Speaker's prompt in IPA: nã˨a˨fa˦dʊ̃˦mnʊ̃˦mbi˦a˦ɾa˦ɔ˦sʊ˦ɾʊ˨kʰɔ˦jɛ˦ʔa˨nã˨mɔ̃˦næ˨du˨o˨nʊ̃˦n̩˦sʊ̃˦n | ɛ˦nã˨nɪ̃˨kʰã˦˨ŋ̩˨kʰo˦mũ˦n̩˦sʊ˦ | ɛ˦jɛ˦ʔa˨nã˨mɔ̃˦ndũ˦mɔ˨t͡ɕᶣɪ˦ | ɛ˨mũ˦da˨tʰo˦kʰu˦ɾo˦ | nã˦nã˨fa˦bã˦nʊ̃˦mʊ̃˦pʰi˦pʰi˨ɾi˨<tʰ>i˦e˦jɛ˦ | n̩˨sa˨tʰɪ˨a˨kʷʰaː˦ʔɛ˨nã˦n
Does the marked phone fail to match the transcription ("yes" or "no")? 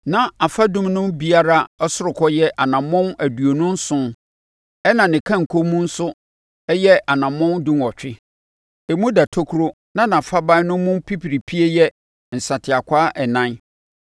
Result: yes